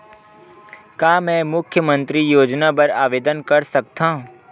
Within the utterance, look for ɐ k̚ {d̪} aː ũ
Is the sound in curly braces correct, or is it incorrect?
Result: incorrect